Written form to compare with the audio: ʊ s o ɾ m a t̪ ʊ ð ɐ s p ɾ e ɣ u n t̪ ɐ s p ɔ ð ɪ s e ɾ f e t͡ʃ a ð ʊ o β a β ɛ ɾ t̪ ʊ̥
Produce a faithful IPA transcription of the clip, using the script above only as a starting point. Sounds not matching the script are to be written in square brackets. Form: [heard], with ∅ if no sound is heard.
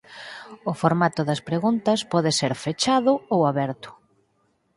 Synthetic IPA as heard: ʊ [f] o ɾ m a t̪ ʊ ð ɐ s p ɾ e ɣ u n t̪ ɐ s p ɔ ð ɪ s e ɾ f e t͡ʃ a ð ʊ o [w] a β ɛ ɾ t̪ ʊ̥